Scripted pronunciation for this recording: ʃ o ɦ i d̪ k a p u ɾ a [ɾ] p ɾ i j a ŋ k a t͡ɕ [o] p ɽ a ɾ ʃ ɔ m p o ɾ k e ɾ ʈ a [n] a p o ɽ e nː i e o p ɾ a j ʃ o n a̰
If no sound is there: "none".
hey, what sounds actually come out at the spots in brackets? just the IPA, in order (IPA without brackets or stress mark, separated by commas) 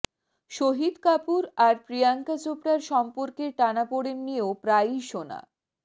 ɾ, o, n